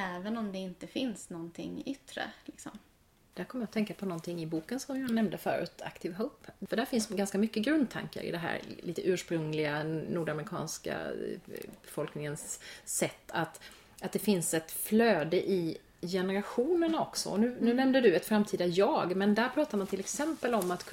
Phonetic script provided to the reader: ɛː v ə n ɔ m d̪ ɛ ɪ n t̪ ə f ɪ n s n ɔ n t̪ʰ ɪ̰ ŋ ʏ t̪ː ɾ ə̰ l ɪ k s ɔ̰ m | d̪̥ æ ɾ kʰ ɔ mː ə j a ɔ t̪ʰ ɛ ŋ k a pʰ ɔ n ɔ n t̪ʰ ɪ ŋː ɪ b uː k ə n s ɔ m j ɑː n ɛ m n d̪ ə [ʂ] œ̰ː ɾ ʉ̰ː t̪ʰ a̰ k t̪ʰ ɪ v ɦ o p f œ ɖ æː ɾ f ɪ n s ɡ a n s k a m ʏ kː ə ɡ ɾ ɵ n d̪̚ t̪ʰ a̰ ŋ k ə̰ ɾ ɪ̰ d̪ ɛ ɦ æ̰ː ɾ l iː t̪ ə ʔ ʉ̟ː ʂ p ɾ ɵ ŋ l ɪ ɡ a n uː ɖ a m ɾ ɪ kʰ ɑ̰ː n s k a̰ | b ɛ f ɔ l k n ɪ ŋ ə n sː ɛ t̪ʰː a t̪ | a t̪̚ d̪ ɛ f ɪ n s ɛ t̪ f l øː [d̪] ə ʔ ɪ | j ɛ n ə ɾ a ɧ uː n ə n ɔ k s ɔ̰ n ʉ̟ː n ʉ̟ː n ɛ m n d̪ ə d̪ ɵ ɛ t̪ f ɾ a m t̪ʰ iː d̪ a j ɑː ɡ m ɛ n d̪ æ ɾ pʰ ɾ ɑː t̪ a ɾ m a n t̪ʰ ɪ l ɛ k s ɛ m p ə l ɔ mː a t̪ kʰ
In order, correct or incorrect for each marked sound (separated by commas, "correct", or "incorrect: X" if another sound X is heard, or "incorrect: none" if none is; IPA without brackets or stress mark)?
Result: incorrect: f, correct